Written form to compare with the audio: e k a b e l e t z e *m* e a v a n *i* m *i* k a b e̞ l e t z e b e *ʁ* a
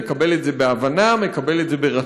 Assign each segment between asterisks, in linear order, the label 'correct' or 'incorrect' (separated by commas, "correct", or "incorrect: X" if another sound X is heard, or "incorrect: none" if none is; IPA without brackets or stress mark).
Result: incorrect: b, incorrect: a, incorrect: e, correct